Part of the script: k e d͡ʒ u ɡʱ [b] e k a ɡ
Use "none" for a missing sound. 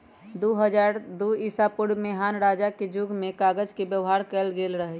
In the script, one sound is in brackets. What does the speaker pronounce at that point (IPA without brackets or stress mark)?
m